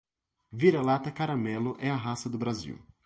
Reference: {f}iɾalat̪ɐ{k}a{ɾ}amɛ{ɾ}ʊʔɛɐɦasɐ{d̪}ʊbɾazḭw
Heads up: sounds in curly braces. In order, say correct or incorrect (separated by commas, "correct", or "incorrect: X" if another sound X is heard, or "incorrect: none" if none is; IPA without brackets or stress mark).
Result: incorrect: v, correct, correct, incorrect: l, correct